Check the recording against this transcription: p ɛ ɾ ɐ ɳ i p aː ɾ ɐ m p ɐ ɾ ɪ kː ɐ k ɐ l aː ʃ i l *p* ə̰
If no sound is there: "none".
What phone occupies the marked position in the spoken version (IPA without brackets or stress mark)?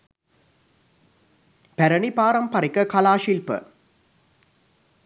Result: p